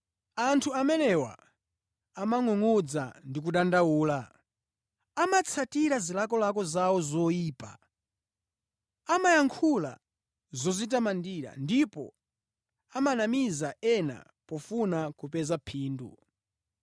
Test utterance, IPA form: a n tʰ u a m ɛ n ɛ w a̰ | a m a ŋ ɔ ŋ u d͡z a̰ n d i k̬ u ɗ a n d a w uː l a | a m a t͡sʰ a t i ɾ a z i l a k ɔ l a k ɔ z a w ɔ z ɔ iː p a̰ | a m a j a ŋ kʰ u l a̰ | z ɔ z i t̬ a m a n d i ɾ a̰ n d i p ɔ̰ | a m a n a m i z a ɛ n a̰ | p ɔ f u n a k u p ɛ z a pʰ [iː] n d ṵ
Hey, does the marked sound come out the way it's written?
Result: yes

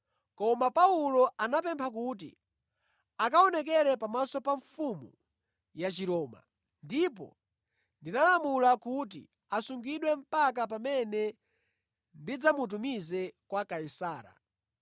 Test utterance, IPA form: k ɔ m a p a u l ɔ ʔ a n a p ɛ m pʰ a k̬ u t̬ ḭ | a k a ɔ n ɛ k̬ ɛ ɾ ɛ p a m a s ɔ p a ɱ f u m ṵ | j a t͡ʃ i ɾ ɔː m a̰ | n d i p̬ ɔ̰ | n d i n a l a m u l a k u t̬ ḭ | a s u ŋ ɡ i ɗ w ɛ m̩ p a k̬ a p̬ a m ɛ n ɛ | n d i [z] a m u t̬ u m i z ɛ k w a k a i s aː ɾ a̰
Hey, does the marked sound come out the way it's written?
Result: no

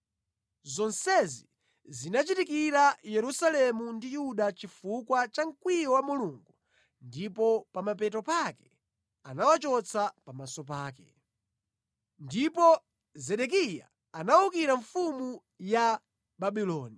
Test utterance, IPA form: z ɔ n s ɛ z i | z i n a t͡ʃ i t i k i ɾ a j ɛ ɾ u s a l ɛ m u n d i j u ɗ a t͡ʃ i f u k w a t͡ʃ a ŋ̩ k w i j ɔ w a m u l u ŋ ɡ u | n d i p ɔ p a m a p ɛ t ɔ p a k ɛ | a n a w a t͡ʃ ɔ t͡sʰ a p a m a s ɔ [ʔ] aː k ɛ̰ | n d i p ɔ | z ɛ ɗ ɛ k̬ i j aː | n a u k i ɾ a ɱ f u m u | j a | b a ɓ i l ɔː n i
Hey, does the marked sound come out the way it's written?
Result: no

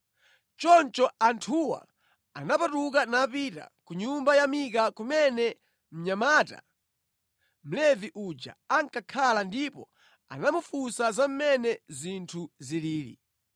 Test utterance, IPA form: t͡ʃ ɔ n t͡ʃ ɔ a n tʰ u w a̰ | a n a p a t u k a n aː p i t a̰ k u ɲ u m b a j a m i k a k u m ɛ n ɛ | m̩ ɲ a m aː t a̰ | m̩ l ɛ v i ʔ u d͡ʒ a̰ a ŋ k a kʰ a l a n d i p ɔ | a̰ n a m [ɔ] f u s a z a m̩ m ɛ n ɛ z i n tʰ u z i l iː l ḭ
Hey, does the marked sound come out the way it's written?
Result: no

